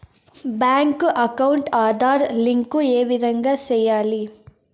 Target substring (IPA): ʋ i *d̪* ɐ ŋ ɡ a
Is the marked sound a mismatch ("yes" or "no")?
no